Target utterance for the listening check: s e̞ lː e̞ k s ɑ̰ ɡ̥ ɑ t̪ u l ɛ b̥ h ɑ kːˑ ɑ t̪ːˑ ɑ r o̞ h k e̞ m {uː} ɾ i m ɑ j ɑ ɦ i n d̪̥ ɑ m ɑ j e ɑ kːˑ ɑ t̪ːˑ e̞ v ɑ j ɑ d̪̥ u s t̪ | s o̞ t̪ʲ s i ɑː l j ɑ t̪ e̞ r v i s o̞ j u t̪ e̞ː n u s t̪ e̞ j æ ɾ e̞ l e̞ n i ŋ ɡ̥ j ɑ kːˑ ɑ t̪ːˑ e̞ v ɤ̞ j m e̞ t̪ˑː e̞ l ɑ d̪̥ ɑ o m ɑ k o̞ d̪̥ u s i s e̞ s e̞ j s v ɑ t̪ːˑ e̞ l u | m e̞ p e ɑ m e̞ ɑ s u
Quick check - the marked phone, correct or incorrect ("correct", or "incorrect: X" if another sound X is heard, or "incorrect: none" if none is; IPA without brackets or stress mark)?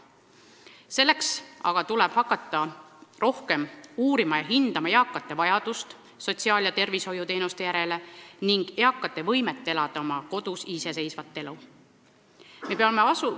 correct